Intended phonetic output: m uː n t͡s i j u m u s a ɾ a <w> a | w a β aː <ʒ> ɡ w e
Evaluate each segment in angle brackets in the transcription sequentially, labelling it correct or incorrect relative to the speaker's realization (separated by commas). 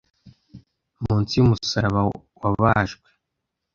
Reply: incorrect, correct